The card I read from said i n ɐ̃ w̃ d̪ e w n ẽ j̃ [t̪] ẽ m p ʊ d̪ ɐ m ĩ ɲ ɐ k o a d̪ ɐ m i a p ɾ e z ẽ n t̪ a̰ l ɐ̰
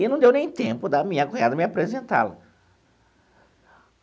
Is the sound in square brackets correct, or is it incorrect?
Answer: correct